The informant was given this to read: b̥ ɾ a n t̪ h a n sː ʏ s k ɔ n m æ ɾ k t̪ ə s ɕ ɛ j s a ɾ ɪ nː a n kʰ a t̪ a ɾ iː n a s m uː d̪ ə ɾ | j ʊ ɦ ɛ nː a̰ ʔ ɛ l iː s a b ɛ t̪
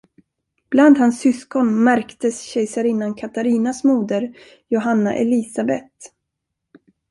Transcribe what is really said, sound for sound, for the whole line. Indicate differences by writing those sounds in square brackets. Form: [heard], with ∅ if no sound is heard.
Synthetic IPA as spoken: b̥ [l] a n [d̪] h a n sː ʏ s k ɔ n m æ ɾ k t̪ ə s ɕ ɛ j s a ɾ ɪ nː a n kʰ a t̪ a ɾ iː n a s m uː d̪ ə ɾ | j ʊ ɦ [a] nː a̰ ʔ ɛ l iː s a b ɛ t̪

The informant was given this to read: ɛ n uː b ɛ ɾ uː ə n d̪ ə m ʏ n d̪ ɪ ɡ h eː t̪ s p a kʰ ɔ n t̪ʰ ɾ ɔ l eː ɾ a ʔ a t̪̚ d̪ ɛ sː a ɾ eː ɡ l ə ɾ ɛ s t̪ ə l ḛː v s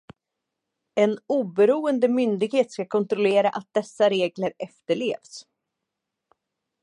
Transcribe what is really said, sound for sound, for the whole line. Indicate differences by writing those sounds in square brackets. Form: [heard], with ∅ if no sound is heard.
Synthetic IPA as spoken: ɛ n uː b ɛ ɾ uː ə n d̪ ə m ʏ n d̪ ɪ ɡ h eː t̪ s [k] a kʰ ɔ n [t̪] ɾ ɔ l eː ɾ a ʔ a t̪̚ d̪ ɛ sː a ɾ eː ɡ l ə ɾ ɛ [f] t̪ ə [ɭ] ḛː v s

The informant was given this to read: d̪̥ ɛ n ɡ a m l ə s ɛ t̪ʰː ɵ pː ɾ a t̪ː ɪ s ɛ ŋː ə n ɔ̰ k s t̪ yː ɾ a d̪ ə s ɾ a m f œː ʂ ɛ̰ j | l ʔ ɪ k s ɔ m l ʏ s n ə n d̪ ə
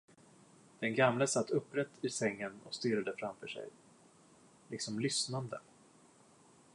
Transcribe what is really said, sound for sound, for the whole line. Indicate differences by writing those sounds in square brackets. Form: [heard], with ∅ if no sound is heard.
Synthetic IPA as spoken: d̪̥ ɛ n ɡ a m l ə s [a] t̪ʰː ɵ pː ɾ [ɛ] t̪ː ɪ s ɛ ŋː ə n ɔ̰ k s t̪ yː ɾ a d̪ ə [f] ɾ a m f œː ʂ ɛ̰ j | l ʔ ɪ k s ɔ m l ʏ s n [a] n d̪ ə

